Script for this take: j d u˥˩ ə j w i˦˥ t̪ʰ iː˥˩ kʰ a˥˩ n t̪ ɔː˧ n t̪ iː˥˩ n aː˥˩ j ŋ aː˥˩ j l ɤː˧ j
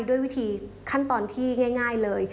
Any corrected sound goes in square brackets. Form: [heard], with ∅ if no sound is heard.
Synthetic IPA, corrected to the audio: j d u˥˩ ə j w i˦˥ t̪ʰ [iː˨˧] kʰ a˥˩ n t̪ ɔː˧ n [t̪ʰ] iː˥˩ [ŋ] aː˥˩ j ŋ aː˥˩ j l ɤː˧ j